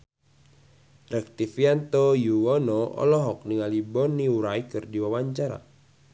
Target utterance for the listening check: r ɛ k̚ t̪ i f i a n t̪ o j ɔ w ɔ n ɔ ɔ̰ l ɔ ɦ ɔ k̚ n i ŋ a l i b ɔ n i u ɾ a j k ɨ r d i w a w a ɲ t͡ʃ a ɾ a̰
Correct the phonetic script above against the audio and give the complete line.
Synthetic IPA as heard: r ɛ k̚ t̪ i f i a n t̪ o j u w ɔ n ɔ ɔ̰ l ɔ ɦ ɔ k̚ n i ŋ a l i b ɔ n i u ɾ a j k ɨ r d i w a w a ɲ t͡ʃ a ɾ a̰